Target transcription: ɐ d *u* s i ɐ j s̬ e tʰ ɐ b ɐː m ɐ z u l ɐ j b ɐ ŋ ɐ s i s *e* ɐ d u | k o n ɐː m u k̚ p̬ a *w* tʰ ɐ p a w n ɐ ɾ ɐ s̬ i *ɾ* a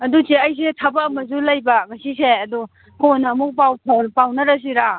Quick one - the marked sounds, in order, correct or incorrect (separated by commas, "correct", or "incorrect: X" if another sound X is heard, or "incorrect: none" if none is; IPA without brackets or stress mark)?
correct, correct, correct, correct